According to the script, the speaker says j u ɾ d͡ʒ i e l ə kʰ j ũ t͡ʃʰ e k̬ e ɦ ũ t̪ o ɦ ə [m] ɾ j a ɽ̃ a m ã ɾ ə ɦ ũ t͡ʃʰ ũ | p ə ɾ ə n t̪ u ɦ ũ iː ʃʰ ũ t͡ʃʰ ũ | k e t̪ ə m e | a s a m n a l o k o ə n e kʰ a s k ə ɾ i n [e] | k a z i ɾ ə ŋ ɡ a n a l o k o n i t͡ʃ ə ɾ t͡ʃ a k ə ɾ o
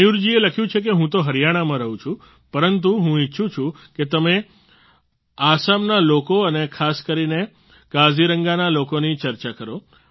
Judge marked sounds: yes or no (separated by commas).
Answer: no, yes